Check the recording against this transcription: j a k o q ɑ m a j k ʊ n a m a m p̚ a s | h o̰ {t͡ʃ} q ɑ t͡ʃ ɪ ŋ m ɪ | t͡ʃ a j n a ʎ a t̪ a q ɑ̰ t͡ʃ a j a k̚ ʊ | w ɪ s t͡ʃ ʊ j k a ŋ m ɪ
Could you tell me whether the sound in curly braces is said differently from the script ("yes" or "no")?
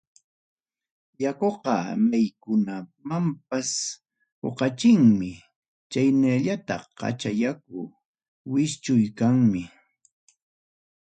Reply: yes